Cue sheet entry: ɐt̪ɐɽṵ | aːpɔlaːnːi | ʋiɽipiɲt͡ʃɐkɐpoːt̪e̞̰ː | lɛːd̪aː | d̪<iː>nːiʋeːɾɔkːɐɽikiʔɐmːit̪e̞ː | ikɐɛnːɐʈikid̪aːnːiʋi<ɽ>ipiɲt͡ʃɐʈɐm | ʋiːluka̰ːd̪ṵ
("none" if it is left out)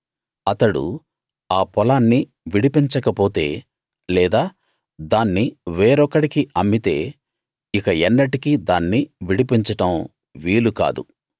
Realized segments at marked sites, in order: aː, ɽ

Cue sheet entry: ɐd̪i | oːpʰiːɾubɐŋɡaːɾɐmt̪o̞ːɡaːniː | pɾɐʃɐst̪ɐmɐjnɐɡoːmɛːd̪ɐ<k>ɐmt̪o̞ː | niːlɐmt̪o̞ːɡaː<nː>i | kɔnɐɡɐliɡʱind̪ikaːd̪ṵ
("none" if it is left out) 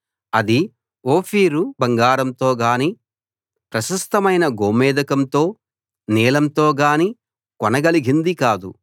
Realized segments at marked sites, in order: k, n

